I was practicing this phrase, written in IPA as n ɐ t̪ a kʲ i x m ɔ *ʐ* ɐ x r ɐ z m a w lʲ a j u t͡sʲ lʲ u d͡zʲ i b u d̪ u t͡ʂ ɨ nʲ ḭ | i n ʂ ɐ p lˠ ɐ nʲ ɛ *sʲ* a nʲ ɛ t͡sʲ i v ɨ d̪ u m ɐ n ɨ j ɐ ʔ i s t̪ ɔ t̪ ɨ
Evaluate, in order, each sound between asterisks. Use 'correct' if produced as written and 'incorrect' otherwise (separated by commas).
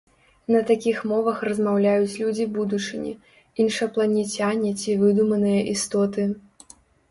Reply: incorrect, incorrect